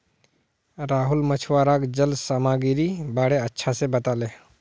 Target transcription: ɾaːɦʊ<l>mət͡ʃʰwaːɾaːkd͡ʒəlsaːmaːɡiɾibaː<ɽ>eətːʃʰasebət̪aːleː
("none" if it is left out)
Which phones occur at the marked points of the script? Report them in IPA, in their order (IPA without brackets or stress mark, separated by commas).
l, ɽ